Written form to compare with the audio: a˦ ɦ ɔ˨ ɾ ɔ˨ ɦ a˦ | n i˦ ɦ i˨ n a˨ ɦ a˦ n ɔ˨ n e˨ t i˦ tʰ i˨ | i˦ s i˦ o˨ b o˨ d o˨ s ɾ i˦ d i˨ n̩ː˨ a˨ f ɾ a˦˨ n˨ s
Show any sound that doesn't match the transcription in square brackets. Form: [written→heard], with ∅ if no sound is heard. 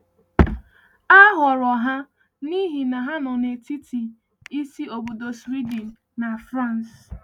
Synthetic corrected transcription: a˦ ɦ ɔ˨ ɾ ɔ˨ ɦ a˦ | n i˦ ɦ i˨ n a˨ ɦ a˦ n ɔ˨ n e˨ t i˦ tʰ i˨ | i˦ s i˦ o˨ b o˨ d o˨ s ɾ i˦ d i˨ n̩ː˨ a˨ f ɾ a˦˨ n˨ s

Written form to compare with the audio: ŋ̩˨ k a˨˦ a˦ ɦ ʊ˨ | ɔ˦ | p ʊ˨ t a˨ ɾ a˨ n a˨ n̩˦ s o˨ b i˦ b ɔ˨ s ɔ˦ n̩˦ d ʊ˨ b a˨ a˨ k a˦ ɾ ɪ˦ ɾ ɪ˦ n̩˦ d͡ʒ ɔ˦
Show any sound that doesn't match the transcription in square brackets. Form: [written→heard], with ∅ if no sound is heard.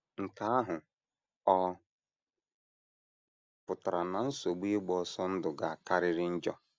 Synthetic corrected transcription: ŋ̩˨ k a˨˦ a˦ ɦ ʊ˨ | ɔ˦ | p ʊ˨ t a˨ ɾ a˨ n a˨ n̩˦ s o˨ [b→ɡ͡b] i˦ [b→ɡ͡b] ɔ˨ s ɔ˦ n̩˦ d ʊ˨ [b→ɡ] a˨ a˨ k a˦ ɾ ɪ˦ ɾ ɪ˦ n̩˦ d͡ʒ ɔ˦

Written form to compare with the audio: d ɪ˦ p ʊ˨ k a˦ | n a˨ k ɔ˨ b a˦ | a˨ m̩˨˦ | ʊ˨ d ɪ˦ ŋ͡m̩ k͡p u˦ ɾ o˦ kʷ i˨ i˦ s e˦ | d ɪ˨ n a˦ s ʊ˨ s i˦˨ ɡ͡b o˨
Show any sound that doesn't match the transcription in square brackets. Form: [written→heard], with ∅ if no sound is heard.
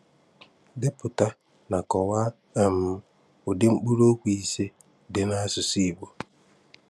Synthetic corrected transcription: d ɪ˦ p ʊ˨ [k→t] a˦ | n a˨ k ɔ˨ [b→w] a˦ | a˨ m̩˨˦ | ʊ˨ d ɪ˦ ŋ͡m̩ k͡p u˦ ɾ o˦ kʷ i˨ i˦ s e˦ | d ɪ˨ n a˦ s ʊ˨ s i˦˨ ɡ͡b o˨

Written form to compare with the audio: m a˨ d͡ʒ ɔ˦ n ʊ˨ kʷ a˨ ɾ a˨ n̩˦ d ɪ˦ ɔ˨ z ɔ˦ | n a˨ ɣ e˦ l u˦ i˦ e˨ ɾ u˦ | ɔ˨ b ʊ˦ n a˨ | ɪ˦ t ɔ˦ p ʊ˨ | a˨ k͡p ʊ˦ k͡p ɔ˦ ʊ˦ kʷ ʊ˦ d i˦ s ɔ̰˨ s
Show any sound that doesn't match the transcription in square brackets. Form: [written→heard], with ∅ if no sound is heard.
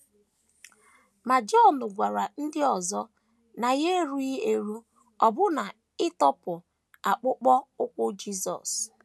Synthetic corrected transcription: m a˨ d͡ʒ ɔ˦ n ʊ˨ [kʷ→ɡʷ] a˨ ɾ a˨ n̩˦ d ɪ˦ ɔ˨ z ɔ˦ | n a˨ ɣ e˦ [l→ɾ] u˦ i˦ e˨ ɾ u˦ | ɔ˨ b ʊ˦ n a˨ | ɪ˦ t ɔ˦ p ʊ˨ | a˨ k͡p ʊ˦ k͡p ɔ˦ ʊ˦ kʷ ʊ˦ [d→d͡ʒ] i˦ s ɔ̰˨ s

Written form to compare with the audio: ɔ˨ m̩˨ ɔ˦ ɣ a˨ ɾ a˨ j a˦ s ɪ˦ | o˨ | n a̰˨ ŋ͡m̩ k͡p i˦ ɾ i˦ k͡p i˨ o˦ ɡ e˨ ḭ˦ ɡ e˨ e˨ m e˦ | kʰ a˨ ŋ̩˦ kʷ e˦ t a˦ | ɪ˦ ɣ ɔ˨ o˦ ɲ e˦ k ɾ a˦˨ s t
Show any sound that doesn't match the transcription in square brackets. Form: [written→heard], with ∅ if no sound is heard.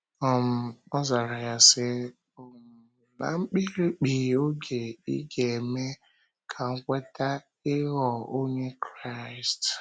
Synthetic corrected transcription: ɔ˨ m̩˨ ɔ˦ [ɣ→z] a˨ ɾ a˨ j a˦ s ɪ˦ | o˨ | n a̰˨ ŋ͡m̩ k͡p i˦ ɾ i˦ k͡p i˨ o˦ ɡ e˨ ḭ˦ ɡ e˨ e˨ m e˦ | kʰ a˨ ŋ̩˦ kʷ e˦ t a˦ | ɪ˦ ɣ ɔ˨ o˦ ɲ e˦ k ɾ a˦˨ s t

